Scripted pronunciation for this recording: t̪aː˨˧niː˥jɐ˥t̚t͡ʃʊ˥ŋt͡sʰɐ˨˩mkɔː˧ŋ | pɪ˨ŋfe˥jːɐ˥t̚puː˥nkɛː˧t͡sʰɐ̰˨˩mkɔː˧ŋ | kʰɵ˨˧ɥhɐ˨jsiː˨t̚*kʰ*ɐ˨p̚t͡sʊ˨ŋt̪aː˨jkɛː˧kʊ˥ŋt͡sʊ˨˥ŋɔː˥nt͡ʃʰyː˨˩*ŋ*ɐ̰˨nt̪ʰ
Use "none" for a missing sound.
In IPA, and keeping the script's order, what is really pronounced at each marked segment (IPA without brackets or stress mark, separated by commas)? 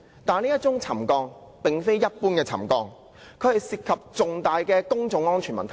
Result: kʰ, m